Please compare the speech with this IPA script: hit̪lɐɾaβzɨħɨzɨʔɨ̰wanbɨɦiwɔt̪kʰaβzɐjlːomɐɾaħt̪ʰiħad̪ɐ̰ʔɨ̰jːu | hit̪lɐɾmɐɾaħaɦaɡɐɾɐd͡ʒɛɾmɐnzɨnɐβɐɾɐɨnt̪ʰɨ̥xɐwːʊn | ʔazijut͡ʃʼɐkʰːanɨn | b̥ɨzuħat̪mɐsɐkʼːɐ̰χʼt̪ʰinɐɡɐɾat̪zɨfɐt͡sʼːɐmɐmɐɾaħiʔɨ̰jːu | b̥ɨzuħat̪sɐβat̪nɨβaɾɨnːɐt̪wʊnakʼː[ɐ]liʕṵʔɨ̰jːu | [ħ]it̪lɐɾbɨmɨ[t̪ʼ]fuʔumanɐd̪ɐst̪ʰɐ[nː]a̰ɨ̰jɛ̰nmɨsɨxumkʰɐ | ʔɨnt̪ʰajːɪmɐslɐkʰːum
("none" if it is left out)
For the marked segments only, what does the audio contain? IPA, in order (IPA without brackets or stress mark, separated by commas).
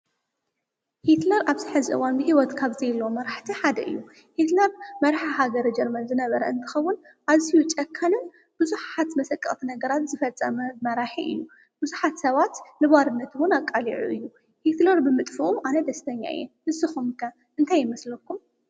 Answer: a, h, t̪ʼ, ɲː